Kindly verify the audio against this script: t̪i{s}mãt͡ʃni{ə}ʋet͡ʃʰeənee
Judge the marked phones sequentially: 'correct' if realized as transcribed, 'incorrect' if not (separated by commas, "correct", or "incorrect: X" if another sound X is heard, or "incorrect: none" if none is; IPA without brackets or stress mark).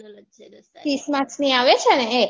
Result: correct, incorrect: a